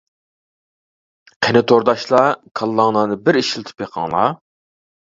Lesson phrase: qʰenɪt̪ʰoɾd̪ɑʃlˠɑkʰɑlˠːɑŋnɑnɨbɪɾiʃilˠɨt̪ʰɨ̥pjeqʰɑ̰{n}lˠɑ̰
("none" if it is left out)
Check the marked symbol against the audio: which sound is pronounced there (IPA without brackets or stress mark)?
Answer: ŋ